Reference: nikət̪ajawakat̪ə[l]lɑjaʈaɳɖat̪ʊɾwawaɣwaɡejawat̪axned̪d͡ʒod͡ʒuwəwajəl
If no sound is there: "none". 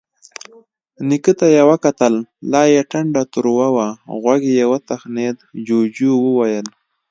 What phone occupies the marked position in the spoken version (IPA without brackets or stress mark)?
l